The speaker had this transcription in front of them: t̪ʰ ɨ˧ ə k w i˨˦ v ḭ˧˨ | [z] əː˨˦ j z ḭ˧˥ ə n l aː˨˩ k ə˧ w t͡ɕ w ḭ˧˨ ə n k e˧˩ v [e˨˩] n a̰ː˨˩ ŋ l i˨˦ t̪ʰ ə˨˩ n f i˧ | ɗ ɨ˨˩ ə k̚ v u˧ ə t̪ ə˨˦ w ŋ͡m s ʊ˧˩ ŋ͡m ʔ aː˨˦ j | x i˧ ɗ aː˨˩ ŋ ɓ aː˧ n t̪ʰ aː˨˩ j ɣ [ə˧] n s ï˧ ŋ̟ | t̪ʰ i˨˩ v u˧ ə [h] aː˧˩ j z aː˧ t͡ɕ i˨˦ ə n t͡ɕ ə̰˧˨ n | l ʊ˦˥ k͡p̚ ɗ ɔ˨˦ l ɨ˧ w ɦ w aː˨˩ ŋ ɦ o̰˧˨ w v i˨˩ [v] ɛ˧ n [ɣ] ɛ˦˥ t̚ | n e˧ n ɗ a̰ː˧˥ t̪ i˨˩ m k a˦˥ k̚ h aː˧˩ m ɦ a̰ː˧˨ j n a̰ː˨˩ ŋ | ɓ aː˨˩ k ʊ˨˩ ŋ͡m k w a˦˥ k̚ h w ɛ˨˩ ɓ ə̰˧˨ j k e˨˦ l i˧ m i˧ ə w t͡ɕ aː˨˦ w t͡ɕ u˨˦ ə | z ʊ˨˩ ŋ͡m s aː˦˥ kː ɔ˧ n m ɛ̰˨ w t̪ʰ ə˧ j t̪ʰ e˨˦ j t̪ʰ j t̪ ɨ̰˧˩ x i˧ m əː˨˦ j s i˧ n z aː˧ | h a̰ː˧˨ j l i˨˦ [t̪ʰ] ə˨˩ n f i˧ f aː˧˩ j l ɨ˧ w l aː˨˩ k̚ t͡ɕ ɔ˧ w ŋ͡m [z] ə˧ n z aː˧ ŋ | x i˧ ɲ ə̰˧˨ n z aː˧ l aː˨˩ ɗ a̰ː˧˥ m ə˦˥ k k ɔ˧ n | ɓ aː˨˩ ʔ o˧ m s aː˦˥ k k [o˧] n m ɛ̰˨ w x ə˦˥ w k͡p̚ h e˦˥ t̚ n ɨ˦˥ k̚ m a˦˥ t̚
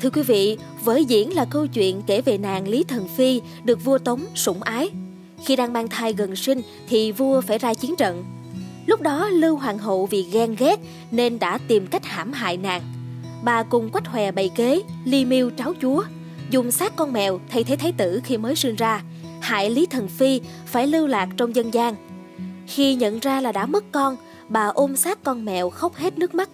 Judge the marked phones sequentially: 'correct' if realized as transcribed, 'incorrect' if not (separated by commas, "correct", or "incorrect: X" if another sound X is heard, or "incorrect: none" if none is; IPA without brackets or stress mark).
incorrect: v, correct, incorrect: ə˨˩, incorrect: f, incorrect: ɣ, correct, correct, correct, incorrect: ɔ˧